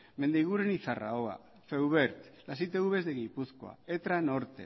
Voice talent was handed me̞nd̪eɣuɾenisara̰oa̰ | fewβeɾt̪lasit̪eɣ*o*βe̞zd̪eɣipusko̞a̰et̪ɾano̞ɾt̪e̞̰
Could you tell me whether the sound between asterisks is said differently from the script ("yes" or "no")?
yes